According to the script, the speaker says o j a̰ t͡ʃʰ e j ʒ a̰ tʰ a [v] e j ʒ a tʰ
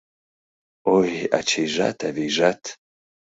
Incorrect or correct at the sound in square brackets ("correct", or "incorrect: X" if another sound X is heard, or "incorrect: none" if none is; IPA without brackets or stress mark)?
correct